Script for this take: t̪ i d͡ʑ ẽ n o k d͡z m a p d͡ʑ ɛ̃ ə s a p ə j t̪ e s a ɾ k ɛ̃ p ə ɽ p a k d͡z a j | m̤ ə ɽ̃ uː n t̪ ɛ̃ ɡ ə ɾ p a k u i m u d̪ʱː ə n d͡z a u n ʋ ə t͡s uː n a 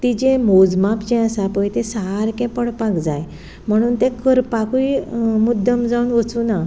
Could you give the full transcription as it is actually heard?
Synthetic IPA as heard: t̪ i d͡ʑ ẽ m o d͡z m a p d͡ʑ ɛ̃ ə s a p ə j t̪ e s a ɾ k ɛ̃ p ə ɽ p a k d͡z a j | m̤ ə ɽ̃ uː n t̪ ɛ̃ k ə ɾ p a k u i m u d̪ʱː ə m d͡z a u n ʋ ə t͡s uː n a